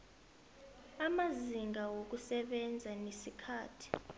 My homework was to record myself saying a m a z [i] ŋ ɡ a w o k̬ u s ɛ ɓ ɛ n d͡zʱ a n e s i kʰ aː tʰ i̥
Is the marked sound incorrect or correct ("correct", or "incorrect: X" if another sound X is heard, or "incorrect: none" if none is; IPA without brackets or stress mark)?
correct